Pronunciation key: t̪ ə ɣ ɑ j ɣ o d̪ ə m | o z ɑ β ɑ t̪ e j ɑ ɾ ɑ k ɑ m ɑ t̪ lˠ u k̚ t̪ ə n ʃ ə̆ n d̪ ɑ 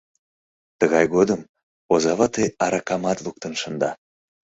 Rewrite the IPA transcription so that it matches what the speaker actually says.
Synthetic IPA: t̪ ə ɣ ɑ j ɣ o d̪ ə m | o z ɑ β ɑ t̪ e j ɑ ɾ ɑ k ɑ m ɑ t̪ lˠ u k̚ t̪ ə n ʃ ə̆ n d̪ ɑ